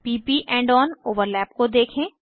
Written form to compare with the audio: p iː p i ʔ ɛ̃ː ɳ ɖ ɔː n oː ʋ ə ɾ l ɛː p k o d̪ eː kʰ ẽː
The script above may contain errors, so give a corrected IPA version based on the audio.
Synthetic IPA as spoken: p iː p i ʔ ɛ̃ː ɳ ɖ ɔː n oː ʋ ə ɾ l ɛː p k o d̪ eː kʰ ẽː